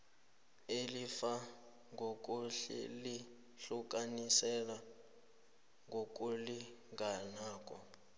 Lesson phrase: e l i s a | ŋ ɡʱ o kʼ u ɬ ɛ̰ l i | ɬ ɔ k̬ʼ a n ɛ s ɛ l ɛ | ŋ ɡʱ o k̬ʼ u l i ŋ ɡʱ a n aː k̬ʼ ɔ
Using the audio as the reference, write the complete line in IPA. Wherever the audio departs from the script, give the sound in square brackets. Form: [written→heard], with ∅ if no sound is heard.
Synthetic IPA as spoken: e l i [s→f] a | ŋ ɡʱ o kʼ u ɬ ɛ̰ l i | ɬ [ɔ→u] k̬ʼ a n [ɛ→i] s ɛ l [ɛ→a] | ŋ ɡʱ o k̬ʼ u l i ŋ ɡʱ a n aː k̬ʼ ɔ

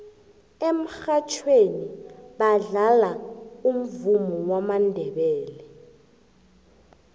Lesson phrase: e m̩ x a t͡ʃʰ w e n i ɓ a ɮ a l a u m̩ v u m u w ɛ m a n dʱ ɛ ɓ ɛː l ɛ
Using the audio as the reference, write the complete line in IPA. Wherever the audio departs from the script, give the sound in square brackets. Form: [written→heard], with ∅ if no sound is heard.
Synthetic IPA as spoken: e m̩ x a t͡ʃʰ w e n i ɓ a ɮ a l a u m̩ v u m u w [ɛ→a] m a n dʱ ɛ ɓ ɛː l ɛ

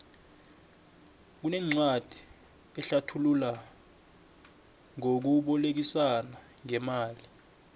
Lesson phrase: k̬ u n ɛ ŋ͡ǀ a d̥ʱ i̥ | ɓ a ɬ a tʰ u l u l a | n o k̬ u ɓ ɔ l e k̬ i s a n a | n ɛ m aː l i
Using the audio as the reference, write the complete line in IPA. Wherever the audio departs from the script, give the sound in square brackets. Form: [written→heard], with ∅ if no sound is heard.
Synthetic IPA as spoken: k̬ u n ɛ ŋ͡ǀ a d̥ʱ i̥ | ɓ [a→ɛ] ɬ a tʰ u l u l a | [n→ŋ] o k̬ u ɓ ɔ l e k̬ i s a n a | [n→ŋ] ɛ m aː l i

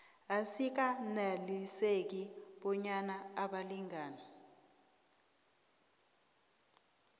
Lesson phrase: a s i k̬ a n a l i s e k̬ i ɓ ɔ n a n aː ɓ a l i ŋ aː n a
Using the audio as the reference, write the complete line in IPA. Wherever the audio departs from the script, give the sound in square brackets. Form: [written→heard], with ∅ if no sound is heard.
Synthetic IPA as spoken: a s i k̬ a n a l i s e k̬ i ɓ ɔ [n→ɲ] a n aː ɓ a l i ŋ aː n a

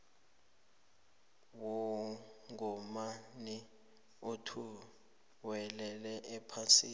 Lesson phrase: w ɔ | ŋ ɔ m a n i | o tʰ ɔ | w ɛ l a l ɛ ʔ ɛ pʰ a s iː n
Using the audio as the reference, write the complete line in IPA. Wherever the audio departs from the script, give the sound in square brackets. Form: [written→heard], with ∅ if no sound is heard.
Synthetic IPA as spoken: w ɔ | ŋ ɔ m a n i | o tʰ [ɔ→u] | w ɛ l [a→ɛ] l ɛ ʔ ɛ pʰ a s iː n

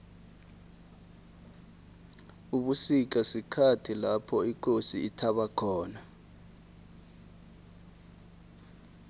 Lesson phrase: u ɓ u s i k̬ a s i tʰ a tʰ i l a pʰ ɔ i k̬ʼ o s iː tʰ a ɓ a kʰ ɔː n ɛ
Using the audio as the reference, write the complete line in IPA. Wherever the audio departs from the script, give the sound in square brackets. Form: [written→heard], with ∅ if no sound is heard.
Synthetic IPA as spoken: u ɓ u s i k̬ a s i [tʰ→kʰ] a tʰ i l a pʰ ɔ i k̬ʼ o s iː tʰ a ɓ a kʰ ɔː n [ɛ→a]

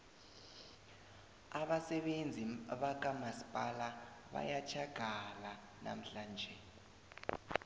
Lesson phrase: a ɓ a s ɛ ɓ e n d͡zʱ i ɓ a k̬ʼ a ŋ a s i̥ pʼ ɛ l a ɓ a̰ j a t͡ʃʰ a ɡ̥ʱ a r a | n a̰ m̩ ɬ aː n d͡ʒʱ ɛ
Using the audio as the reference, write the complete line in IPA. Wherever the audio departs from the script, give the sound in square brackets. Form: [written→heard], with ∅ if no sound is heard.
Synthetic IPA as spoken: a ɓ a s ɛ ɓ e n d͡zʱ i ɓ a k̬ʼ a [ŋ→m] a s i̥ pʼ [ɛ→a] l a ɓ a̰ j a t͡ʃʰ a ɡ̥ʱ a [r→l] a | n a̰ m̩ ɬ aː n d͡ʒʱ ɛ

